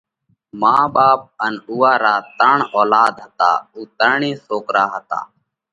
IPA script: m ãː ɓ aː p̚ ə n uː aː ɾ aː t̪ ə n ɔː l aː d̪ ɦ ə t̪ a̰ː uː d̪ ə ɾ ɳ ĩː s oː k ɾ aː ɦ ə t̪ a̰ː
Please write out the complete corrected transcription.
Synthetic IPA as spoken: m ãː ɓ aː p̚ ə n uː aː ɾ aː t̪ ə ɳ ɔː l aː d̪ ɦ ə t̪ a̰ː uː t̪ ə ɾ ɳ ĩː s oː k ɾ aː ɦ ə t̪ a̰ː